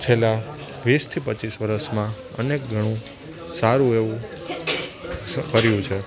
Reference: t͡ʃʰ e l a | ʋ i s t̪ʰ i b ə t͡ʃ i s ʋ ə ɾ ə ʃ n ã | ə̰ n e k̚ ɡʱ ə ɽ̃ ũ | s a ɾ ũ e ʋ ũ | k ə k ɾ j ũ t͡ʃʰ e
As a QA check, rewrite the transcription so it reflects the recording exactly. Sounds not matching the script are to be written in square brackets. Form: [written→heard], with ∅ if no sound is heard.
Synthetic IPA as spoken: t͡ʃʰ e l a | ʋ i s t̪ʰ i [b→p] ə t͡ʃ i s ʋ ə ɾ ə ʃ [n→m] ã | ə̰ n e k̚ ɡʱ ə ɽ̃ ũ | s a ɾ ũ e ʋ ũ | k ə [k→∅] ɾ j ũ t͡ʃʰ e

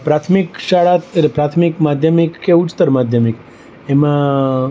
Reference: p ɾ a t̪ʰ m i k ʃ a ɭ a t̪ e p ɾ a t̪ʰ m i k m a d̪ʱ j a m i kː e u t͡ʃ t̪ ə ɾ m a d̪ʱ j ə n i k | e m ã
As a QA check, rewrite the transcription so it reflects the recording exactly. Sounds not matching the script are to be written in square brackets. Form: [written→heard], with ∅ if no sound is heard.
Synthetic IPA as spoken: p ɾ a t̪ʰ m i k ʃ a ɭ a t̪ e p ɾ a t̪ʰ m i k m a d̪ʱ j [a→ə] m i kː e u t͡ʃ t̪ ə ɾ m a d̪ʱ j ə [n→m] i k | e m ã

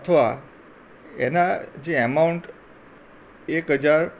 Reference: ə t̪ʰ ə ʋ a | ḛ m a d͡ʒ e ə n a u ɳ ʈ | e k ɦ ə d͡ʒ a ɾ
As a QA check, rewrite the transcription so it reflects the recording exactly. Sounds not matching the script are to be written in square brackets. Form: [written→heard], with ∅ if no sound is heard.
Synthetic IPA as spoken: ə t̪ʰ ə ʋ a | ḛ [m→n] a d͡ʒ e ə [n→m] a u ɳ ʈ | e k ɦ ə d͡ʒ a ɾ

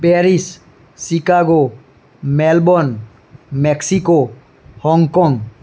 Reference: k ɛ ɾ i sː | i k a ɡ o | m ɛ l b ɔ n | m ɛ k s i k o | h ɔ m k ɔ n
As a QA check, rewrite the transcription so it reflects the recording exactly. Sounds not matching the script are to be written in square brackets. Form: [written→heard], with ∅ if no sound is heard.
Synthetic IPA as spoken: [k→p] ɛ ɾ i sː | i k a ɡ o | m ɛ l b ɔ n | m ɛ k s i k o | h ɔ [m→ŋ] k ɔ [n→ŋ]

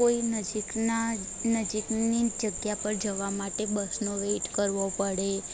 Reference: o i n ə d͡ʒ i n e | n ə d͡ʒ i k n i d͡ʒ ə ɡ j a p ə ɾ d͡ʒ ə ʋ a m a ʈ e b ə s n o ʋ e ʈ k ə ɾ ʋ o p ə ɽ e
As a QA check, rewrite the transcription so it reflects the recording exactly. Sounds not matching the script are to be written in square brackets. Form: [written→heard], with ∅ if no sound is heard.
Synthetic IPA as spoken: o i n ə d͡ʒ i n [e→a] | n ə d͡ʒ i k n i d͡ʒ ə ɡ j a p ə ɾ d͡ʒ ə ʋ a m a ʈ e b ə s n o ʋ e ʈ k ə ɾ ʋ o p ə ɽ e

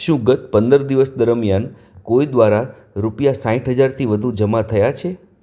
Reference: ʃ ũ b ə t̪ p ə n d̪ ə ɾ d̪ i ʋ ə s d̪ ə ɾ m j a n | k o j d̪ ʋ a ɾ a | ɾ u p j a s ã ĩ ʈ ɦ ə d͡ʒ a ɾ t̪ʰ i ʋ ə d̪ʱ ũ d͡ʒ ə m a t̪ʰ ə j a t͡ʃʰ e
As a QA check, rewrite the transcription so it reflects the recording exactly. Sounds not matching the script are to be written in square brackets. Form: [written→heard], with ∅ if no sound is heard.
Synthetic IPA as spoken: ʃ ũ [b→ɡ] ə t̪ p ə n d̪ ə ɾ d̪ i ʋ ə s d̪ ə ɾ m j a n | k o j d̪ ʋ a ɾ a | ɾ u p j a s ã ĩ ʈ ɦ ə d͡ʒ a ɾ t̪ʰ i ʋ ə d̪ʱ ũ d͡ʒ ə m a t̪ʰ ə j a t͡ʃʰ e

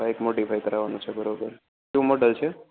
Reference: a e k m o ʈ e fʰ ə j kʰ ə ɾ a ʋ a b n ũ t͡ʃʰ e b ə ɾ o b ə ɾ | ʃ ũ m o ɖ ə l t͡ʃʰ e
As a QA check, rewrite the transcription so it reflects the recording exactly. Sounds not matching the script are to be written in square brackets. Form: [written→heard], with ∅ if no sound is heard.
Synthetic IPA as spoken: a e k m o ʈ [e→i] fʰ [ə→a] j [kʰ→k] ə ɾ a ʋ a [b→∅] n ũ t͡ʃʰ e b ə ɾ o b ə ɾ | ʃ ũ m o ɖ ə l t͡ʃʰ e

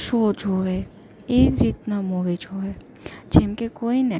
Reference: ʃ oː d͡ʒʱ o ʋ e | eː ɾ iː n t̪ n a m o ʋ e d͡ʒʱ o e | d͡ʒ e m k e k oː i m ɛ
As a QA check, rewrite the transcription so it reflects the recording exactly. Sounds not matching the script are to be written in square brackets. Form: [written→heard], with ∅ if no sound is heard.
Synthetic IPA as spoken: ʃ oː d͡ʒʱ o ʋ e | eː ɾ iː [n→∅] t̪ n a m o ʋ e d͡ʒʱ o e | d͡ʒ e m k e k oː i [m→n] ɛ

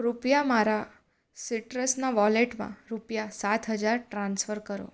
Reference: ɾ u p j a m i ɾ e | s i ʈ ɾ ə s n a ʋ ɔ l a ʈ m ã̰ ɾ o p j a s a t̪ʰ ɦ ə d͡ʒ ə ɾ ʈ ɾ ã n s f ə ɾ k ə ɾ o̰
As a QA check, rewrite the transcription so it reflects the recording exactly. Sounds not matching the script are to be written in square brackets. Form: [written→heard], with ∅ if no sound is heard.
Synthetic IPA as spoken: ɾ u p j a m [i→a] ɾ [e→a] | s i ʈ ɾ ə s n a ʋ ɔ l [a→e] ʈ m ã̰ ɾ [o→u] p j a s a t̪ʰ ɦ ə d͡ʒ [ə→a] ɾ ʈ ɾ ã n s f ə ɾ k ə ɾ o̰

